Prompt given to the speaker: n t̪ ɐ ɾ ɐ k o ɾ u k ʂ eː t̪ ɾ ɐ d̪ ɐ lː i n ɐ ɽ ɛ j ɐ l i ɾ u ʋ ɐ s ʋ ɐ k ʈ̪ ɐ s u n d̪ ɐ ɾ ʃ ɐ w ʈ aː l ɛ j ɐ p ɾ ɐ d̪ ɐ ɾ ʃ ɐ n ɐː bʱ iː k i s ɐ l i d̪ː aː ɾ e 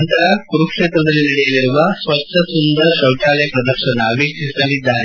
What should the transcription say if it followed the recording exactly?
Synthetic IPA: n t̪ ɐ ɾ ɐ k u ɾ u k ʂ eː t̪ ɾ ɐ d̪ ɐ lː i n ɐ ɽ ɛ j ɐ l i ɾ u ʋ ɐ s ʋ ɐ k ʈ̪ ɐ s u n d̪ ɐ ɾ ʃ ɐ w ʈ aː l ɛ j ɐ p ɾ ɐ d̪ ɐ ɾ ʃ ɐ n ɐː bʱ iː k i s ɐ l i d̪ː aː ɾ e

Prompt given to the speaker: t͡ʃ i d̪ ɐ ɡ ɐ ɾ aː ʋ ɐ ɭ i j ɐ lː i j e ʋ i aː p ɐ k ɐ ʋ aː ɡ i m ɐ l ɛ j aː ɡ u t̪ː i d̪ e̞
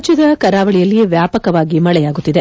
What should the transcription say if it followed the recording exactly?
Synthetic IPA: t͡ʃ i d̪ ɐ k ɐ ɾ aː ʋ ɐ ɭ i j ɐ lː i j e ʋ j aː p ɐ k ɐ ʋ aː ɡ i m ɐ ɭ ɛ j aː ɡ u t̪ː i d̪ e̞

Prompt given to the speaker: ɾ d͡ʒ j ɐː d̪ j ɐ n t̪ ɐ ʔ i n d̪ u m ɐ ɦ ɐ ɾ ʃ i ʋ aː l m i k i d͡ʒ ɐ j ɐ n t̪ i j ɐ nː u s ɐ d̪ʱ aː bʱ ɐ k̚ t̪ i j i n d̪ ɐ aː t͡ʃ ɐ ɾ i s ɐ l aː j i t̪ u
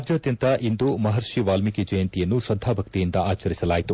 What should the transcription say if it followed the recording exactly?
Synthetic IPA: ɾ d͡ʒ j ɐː d̪ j ɐ n t̪ ɐ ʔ i n d̪ u m ɐ ɦ ɐ ɾ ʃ i ʋ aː l m i k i d͡ʒ ɐ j ɐ n t̪ i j ɐ nː u s ɐ d̪ʱ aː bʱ ɐ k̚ t̪ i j i n d̪ ɐ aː t͡ʃ ɐ ɾ i s ɐ l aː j i t̪ u

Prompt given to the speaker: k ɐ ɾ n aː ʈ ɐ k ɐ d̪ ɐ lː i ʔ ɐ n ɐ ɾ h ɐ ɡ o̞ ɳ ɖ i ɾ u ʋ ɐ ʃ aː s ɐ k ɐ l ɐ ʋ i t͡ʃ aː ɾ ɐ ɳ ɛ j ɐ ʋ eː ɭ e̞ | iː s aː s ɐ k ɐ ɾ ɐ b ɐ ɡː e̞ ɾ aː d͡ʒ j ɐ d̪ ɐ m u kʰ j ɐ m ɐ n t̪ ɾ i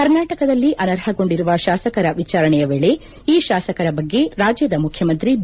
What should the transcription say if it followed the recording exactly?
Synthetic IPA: k ɐ ɾ n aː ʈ ɐ k ɐ d̪ ɐ lː i ʔ ɐ n ɐ ɾ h ɐ ɡ o̞ ɳ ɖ i ɾ u ʋ ɐ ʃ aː s ɐ k ɐ ɾ ɐ ʋ i t͡ʃ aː ɾ ɐ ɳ ɛ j ɐ ʋ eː ɭ e̞ | iː ʃ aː s ɐ k ɐ ɾ ɐ b ɐ ɡː e̞ ɾ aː d͡ʒ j ɐ d̪ ɐ m u kʰ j ɐ m ɐ n t̪ ɾ i

